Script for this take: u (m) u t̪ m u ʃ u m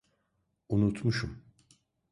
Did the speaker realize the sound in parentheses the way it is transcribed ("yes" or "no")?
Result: no